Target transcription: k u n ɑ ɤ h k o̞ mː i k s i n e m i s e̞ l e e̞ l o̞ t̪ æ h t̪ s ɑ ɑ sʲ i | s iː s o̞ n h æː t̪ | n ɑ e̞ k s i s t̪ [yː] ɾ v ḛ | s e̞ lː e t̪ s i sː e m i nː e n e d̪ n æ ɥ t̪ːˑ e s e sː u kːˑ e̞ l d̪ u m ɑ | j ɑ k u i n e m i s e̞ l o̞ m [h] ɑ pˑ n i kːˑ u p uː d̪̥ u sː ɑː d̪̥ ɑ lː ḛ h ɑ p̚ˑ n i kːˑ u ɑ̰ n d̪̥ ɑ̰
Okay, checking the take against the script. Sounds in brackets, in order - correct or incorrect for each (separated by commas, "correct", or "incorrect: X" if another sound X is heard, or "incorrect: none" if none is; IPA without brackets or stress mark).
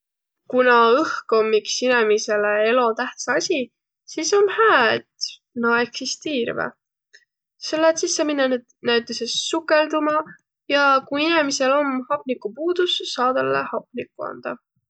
incorrect: iː, correct